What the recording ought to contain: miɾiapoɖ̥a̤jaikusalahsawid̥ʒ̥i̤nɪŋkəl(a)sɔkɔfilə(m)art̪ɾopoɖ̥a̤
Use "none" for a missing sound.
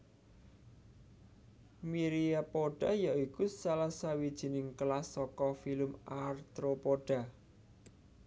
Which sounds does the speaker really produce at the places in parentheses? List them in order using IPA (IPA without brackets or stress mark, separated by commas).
a, m